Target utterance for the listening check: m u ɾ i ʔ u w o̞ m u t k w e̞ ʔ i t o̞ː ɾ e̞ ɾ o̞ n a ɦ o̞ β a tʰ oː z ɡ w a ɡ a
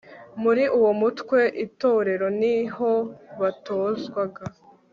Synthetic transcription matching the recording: m u ɾ i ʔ u w o̞ m u t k w e̞ ʔ i t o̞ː ɾ e̞ ɾ o̞ n i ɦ o̞ β a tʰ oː z ɡ w a ɡ a